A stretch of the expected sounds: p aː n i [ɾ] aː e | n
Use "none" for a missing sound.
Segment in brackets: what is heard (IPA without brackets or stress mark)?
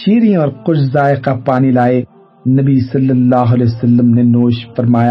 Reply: l